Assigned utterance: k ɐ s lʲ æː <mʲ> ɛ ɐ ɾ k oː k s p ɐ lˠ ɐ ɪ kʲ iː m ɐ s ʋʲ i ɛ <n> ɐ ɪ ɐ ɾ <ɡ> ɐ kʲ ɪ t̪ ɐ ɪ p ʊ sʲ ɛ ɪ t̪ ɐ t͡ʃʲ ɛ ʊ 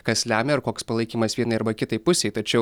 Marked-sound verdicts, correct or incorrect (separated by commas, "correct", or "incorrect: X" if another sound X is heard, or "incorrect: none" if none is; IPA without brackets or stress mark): correct, correct, incorrect: b